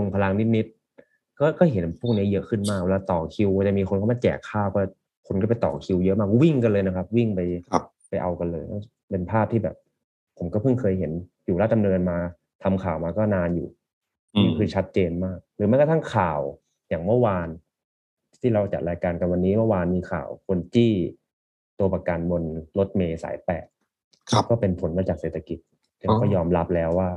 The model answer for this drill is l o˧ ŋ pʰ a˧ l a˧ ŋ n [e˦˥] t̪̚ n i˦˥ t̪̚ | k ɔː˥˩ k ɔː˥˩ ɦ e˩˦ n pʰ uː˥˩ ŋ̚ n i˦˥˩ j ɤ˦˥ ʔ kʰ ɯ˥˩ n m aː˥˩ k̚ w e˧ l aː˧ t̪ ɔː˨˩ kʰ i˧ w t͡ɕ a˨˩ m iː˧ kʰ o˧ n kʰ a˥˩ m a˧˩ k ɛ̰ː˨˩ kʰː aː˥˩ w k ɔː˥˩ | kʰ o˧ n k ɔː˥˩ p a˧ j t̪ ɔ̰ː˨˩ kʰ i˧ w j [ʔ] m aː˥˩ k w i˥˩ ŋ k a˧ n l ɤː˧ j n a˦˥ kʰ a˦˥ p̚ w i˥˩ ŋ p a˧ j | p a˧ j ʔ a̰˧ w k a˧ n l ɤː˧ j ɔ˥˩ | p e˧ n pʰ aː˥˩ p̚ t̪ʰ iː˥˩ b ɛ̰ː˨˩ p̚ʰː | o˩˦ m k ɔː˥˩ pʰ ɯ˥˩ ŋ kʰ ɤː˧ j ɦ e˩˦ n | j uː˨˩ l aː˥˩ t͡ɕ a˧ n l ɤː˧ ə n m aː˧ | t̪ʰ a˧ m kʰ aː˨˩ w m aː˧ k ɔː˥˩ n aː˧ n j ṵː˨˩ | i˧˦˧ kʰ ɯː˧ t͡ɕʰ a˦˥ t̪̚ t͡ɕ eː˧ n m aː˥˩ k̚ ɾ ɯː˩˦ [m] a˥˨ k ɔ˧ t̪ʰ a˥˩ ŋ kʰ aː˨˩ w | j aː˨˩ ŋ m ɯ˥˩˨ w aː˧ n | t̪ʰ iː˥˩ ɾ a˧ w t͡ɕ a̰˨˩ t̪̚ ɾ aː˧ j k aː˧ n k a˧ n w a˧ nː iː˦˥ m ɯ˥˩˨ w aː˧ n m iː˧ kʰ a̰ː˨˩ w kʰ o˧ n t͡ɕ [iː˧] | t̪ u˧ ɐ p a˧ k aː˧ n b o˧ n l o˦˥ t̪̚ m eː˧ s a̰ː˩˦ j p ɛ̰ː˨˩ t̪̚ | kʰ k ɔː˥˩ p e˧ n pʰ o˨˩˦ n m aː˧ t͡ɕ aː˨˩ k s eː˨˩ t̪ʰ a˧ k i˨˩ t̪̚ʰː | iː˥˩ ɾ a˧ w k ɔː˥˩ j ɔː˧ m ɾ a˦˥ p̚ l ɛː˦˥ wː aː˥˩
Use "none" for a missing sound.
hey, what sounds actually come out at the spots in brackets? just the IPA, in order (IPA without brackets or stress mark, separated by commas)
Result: i˦˥, ʔ, m, iː˥˩